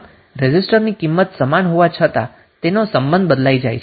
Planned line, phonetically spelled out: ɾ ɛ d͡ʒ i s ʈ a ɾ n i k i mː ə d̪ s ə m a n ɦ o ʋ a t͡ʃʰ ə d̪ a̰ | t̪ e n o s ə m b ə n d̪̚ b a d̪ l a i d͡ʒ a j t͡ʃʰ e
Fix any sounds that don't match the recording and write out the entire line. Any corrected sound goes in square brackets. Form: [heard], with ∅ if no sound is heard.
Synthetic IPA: ɾ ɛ d͡ʒ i s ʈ [ə] ɾ n i k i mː ə [t̪] s ə m a n ɦ o ʋ a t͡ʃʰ ə [t̪] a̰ | t̪ e n o s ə m b ə n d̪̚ b [ə] d̪ l a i d͡ʒ a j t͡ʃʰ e